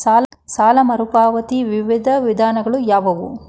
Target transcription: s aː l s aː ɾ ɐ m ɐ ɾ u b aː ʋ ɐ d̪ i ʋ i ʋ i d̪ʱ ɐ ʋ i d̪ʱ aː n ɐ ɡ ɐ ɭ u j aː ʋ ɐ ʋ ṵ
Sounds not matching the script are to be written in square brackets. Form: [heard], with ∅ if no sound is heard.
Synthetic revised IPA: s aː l s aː [l] ɐ m ɐ ɾ u [p] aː ʋ ɐ [t̪] i ʋ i ʋ i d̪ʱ ɐ ʋ i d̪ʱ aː n ɐ ɡ ɐ ɭ u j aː ʋ ɐ ʋ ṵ